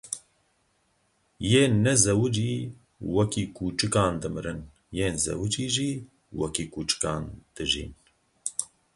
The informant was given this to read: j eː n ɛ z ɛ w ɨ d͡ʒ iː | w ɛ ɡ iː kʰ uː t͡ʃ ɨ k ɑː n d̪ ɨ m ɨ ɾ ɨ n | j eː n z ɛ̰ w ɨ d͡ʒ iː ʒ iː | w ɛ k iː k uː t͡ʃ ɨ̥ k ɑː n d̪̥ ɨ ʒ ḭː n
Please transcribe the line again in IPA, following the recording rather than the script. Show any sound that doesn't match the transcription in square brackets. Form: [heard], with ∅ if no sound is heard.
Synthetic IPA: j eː n ɛ z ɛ w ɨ d͡ʒ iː | w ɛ [k] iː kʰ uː t͡ʃ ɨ k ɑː n d̪ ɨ m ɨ ɾ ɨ n | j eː n z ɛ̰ w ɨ d͡ʒ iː ʒ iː | w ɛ k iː k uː t͡ʃ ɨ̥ k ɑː n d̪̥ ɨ ʒ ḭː n